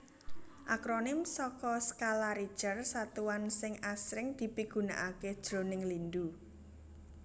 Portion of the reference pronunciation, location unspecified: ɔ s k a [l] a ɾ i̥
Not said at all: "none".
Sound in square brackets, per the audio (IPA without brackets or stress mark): l